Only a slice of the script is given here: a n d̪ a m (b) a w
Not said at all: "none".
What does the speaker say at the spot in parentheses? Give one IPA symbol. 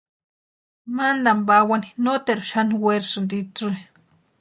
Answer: b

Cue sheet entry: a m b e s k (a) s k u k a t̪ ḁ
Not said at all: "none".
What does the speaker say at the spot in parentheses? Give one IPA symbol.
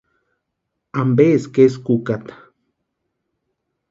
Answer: e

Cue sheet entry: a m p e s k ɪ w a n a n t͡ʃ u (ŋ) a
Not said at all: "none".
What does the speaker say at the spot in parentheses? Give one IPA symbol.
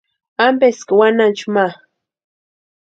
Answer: m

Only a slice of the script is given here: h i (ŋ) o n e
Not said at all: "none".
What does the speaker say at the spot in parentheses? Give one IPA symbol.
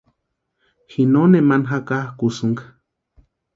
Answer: n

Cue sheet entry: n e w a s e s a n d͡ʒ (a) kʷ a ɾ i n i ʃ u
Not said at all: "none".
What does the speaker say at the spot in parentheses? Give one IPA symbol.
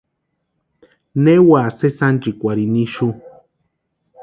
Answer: i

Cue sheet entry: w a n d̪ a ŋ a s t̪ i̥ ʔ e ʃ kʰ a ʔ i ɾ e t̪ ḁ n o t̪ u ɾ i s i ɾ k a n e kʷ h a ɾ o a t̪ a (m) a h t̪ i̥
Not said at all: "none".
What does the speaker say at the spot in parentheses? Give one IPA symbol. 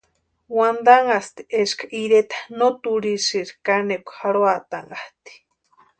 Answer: ŋ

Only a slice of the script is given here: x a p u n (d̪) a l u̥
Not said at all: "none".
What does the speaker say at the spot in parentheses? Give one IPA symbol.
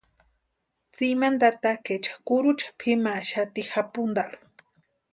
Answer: d̪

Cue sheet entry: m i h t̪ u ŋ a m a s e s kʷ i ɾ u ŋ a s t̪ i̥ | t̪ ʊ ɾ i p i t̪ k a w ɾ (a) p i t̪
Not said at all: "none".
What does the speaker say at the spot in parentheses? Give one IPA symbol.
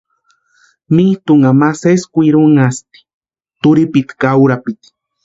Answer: a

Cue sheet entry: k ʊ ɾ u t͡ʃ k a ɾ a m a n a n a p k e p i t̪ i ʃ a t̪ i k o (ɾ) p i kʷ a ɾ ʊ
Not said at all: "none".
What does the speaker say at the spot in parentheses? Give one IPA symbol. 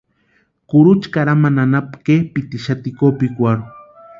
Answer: none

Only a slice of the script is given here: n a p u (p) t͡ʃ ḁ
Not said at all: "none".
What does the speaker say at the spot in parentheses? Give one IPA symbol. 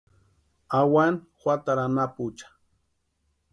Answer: none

